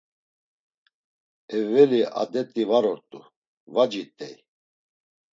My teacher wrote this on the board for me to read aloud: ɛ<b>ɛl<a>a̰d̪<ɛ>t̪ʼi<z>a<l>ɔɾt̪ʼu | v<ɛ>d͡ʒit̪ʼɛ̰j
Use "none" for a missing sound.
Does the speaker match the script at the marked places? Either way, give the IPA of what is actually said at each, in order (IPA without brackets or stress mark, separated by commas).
v, i, ɛ, v, ɾ, a